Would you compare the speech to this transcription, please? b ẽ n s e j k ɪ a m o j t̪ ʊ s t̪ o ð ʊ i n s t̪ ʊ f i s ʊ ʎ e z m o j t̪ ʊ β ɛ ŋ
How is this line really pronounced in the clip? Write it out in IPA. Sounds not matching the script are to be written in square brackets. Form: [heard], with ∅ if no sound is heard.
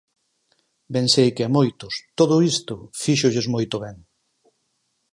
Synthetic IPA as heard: b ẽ n s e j k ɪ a m o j t̪ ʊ s t̪ o ð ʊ i [∅] s t̪ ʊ f i [ʃ] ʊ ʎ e z m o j t̪ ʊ β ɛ ŋ